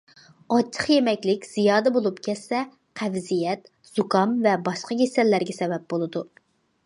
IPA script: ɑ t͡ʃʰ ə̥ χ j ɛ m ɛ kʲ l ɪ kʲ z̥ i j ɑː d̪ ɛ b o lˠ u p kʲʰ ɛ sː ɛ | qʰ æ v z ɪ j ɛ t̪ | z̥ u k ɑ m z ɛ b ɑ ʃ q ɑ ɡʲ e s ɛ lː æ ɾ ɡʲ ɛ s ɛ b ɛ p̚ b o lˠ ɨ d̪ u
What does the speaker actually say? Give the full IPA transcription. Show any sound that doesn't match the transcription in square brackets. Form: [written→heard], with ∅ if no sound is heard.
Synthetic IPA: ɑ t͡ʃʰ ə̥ χ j [ɛ→e] m ɛ kʲ l ɪ kʲ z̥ i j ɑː d̪ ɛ b o lˠ u p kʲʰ ɛ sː ɛ | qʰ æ v z [ɪ→i] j ɛ t̪ | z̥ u k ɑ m [z→v] ɛ b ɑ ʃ q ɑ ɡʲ e s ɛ lː æ ɾ ɡʲ ɛ s ɛ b ɛ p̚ b o lˠ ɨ d̪ u